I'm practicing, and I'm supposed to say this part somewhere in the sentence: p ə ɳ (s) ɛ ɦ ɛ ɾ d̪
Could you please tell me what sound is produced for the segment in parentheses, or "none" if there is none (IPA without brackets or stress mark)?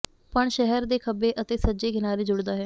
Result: ʃ